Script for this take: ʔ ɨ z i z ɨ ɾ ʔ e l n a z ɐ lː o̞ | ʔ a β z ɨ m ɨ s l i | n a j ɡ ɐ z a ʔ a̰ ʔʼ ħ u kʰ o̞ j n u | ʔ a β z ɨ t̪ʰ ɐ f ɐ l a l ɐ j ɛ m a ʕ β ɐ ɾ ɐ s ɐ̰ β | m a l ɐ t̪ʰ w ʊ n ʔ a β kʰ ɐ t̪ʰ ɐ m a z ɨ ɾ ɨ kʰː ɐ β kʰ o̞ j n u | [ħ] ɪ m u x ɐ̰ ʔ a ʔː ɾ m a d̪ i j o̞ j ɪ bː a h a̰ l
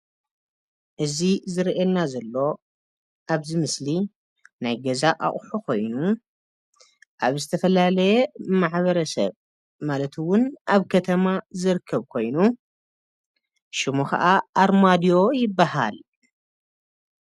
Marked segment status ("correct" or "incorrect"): incorrect